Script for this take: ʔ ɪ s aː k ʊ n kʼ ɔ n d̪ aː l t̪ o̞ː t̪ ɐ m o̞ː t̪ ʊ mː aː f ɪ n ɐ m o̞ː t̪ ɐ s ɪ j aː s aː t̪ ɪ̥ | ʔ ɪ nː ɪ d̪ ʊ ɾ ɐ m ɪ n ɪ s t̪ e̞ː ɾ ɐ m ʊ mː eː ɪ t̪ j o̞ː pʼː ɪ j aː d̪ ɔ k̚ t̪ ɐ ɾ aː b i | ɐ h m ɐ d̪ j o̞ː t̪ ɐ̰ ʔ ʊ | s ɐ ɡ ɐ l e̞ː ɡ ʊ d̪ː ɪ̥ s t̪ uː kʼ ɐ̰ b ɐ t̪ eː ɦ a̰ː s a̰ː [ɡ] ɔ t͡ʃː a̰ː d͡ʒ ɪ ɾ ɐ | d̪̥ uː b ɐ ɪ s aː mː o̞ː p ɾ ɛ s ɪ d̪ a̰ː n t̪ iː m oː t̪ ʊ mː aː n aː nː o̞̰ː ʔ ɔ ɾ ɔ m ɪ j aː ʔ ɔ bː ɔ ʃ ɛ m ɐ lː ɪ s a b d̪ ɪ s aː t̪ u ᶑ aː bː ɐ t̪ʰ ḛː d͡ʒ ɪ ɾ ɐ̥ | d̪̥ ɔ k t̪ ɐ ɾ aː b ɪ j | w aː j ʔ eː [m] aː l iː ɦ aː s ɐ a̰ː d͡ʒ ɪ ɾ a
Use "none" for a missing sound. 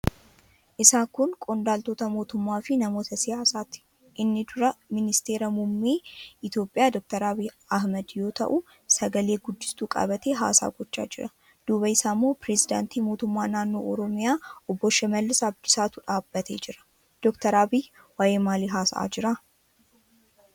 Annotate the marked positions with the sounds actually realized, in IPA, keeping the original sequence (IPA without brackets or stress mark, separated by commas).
ɡ, m